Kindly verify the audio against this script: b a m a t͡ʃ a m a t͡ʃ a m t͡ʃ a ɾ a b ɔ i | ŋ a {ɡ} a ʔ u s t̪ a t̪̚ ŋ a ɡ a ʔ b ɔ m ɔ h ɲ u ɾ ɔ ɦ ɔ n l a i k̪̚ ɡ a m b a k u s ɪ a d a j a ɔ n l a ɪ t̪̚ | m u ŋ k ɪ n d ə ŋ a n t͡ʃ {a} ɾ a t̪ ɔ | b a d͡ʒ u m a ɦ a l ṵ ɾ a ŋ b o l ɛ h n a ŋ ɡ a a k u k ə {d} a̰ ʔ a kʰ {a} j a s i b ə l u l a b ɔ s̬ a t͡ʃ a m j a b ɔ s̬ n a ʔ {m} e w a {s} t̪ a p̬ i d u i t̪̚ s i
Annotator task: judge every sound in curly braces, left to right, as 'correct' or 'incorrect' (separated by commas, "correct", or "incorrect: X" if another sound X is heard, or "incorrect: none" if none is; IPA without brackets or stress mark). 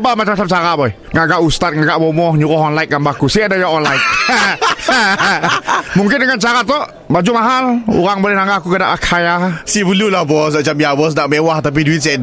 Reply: correct, correct, correct, correct, correct, incorrect: h